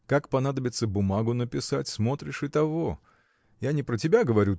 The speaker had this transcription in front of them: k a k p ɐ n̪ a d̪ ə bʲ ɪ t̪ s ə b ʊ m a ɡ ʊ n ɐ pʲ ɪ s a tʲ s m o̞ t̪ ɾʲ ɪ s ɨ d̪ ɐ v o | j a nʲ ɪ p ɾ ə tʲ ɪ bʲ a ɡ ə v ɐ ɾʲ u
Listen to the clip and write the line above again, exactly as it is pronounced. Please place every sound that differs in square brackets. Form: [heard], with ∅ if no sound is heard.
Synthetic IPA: k a k p ɐ n̪ a d̪ ə bʲ ɪ t̪ s ə b ʊ m a ɡ ʊ n [ə] pʲ ɪ s a tʲ s m o̞ t̪ ɾʲ ɪ [ʂ] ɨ [t̪] ɐ v o | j a nʲ ɪ p ɾ ə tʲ ɪ bʲ a ɡ ə v ɐ ɾʲ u